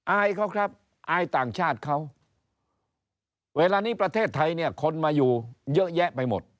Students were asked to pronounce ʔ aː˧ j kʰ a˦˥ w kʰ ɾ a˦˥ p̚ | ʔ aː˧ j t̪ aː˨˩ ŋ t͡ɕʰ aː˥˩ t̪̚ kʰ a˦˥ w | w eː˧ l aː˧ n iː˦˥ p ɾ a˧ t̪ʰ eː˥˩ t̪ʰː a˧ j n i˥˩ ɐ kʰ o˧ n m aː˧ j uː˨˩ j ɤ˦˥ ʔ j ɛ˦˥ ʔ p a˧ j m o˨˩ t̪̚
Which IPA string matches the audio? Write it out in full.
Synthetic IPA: ʔ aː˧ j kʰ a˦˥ w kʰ ɾ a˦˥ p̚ | ʔ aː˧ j t̪ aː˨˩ ŋ t͡ɕʰ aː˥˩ t̪̚ kʰ a˦˥ w | w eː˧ l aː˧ n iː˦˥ p ɾ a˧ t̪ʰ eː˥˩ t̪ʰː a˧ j n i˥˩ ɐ kʰ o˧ n m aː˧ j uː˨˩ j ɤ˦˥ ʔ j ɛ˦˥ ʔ p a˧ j m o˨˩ t̪̚